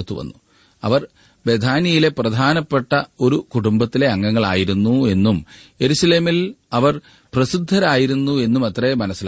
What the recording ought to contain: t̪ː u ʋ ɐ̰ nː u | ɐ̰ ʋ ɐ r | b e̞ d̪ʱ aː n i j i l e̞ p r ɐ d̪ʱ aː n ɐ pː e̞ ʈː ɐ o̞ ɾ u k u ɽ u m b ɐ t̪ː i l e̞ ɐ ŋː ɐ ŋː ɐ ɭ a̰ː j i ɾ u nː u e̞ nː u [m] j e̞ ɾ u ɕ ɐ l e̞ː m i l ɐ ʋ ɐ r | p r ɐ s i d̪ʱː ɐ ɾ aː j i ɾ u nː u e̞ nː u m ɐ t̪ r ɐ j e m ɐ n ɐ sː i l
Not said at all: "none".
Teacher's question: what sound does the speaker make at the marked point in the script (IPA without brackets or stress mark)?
m